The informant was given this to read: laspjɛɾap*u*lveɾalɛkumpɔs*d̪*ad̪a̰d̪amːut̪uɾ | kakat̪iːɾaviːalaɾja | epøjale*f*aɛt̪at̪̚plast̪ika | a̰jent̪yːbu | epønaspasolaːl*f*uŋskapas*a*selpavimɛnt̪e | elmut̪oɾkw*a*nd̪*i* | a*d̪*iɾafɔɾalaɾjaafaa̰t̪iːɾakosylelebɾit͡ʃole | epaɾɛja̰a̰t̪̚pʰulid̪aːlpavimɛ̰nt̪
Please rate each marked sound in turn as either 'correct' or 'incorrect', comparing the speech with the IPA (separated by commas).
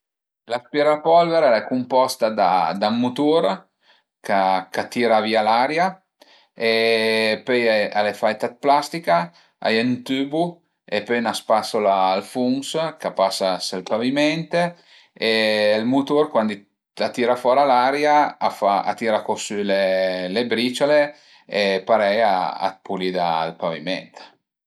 incorrect, incorrect, correct, correct, correct, correct, correct, incorrect